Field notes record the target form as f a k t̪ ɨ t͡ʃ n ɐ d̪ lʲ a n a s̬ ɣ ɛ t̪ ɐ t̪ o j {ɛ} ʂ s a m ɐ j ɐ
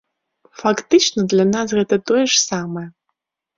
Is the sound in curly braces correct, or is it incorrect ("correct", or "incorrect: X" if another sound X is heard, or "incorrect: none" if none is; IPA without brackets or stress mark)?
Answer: correct